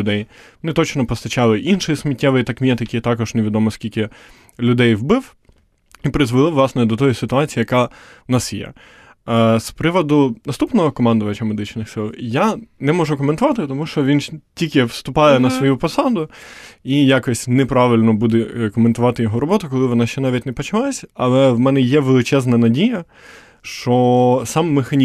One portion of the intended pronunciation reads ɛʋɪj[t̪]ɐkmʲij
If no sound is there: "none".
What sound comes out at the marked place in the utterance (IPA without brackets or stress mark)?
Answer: t̪